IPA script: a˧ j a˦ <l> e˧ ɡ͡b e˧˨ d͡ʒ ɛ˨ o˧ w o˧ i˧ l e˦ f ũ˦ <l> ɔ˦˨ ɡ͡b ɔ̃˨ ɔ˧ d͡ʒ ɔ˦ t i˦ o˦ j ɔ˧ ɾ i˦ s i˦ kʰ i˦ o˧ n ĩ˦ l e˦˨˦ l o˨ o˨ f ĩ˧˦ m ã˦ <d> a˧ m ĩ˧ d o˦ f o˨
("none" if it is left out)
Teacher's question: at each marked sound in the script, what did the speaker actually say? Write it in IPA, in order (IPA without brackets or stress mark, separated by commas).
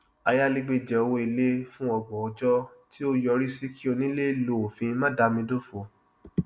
l, none, d